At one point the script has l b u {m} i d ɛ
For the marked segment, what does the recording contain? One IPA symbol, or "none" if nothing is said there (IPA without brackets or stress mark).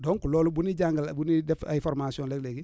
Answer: n